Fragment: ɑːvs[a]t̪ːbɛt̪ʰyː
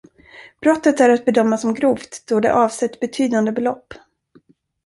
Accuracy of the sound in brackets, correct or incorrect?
incorrect